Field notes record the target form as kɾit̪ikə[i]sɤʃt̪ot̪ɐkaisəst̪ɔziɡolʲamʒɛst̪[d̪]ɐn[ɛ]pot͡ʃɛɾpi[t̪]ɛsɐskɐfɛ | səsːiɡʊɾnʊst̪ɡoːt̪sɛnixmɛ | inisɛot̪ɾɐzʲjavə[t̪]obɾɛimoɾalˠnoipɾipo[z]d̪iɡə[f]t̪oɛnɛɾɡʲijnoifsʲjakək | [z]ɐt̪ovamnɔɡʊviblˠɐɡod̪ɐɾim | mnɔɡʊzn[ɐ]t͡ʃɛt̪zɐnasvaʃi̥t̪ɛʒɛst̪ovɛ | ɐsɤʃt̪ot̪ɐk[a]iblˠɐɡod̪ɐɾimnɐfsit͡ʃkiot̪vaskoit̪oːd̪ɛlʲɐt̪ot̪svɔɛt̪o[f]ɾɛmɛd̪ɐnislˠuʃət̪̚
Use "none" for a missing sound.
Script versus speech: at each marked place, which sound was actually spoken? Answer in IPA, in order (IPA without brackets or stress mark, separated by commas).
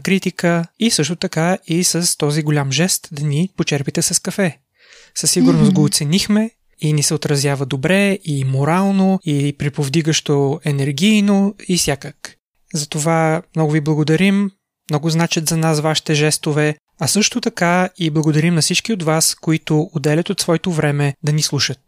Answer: i, d̪, i, t̪, d̪, v, ʃ, z, a, a, v